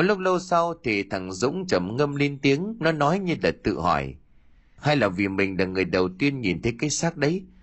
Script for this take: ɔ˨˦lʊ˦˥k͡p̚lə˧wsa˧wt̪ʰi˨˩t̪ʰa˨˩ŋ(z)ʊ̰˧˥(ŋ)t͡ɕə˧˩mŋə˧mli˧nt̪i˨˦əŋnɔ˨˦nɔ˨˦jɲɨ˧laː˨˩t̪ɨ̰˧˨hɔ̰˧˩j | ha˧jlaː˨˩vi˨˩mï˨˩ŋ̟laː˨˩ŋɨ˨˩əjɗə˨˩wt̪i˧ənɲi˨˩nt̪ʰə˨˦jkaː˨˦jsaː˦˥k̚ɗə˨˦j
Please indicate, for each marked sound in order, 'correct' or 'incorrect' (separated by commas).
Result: correct, incorrect